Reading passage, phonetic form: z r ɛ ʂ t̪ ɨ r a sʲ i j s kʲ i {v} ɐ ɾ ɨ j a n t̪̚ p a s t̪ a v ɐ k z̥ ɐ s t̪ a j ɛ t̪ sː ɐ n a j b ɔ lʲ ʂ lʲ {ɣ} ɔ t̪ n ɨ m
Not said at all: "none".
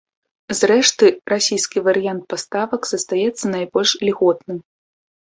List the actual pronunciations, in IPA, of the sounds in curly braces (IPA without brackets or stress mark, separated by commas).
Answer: v, ɣ